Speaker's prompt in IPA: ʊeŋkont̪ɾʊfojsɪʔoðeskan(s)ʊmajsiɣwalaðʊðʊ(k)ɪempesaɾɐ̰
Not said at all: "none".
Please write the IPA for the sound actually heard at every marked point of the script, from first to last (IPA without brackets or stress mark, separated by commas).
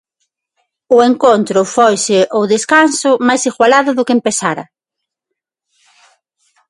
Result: s, k